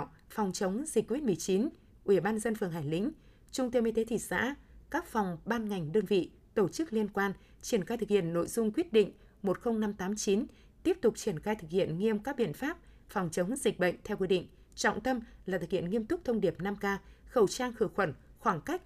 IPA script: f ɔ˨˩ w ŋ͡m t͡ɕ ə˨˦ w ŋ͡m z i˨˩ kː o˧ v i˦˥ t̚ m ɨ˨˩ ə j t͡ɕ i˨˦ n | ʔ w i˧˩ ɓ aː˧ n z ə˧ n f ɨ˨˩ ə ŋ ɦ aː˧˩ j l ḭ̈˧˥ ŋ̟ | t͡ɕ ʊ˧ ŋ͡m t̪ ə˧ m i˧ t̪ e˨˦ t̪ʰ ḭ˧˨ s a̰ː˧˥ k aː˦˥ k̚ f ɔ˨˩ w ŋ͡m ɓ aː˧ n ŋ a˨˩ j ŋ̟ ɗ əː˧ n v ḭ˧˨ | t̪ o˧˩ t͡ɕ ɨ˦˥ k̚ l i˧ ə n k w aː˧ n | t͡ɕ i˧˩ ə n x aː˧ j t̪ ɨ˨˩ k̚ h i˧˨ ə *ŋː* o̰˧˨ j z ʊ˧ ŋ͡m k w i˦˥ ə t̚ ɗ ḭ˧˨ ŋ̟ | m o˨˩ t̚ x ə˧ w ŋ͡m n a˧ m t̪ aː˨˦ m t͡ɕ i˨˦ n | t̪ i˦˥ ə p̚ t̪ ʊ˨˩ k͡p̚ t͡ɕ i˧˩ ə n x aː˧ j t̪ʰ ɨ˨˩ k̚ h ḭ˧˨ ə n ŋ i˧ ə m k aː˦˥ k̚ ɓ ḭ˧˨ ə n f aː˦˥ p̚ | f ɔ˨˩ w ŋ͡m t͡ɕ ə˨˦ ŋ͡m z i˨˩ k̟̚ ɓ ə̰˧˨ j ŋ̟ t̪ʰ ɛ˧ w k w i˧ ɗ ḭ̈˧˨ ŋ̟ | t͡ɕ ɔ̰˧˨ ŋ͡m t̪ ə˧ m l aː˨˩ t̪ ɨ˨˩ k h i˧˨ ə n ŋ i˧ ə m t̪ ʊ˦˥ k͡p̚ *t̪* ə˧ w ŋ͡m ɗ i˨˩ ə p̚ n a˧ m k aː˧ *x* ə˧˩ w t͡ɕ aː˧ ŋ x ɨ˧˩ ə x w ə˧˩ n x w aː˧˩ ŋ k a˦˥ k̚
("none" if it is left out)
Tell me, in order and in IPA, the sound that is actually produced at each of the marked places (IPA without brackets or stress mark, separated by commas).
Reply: nː, t̪ʰ, x